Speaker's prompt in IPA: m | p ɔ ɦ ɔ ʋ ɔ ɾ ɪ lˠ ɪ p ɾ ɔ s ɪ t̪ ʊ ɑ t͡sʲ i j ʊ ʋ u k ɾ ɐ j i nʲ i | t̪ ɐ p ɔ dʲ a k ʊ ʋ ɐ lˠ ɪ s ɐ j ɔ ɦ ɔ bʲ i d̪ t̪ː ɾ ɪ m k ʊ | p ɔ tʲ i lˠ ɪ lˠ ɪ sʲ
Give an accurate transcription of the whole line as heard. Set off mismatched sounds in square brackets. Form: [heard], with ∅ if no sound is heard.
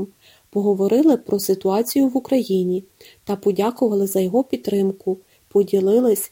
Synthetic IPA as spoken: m | p ɔ ɦ ɔ ʋ ɔ ɾ ɪ lˠ ɪ p ɾ ɔ s ɪ t̪ ʊ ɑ t͡sʲ i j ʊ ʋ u k ɾ ɐ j i nʲ i | t̪ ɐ p ɔ dʲ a k ʊ ʋ ɐ lˠ ɪ [z] ɐ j ɔ ɦ ɔ [pʲ] i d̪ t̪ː ɾ ɪ m k ʊ | p ɔ [dʲ] i lˠ ɪ lˠ ɪ sʲ